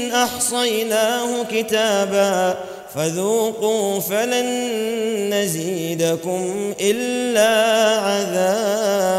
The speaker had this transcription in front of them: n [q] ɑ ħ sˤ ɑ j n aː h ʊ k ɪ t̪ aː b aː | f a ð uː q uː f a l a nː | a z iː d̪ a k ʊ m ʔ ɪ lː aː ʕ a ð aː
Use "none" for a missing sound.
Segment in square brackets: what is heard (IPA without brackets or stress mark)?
ʔ